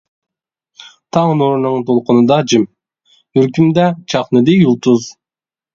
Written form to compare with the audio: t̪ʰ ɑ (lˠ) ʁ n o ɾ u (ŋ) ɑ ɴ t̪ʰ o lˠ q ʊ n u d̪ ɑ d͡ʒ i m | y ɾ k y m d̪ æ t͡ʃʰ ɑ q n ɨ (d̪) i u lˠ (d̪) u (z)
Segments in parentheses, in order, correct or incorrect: incorrect: none, incorrect: n, correct, incorrect: t̪, correct

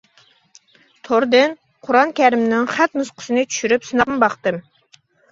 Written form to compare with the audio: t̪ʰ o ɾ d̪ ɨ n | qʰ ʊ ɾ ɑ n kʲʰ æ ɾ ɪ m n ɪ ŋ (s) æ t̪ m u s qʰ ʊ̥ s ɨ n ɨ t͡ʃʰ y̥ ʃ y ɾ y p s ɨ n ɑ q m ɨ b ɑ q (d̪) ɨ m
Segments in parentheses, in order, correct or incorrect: incorrect: χ, incorrect: t̪

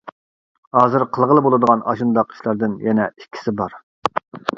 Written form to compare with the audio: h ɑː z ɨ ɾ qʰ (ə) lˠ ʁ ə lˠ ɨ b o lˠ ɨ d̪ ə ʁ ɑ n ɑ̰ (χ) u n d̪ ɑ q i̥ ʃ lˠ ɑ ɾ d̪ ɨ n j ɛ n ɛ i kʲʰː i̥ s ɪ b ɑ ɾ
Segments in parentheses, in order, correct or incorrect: correct, incorrect: ʃ

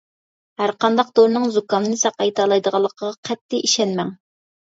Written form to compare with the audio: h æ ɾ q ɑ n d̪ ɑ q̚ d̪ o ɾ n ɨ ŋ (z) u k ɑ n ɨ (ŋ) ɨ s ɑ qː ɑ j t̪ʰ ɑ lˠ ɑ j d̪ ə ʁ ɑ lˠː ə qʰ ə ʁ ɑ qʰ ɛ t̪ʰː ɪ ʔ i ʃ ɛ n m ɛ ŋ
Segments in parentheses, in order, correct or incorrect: correct, incorrect: n

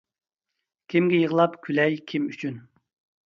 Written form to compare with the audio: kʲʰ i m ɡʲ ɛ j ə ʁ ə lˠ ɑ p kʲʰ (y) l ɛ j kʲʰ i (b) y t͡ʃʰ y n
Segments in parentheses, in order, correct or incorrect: correct, incorrect: m

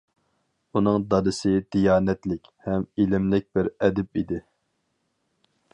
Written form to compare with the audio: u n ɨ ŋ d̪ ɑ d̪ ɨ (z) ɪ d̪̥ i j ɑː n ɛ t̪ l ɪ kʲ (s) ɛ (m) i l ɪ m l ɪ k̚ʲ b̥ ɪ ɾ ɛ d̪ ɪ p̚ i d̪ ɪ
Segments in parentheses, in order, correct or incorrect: incorrect: s, incorrect: h, correct

